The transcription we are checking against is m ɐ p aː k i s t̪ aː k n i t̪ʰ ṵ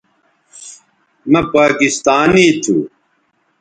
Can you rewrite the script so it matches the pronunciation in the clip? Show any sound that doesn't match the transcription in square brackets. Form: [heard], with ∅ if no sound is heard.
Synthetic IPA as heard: m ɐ p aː k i s t̪ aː [∅] n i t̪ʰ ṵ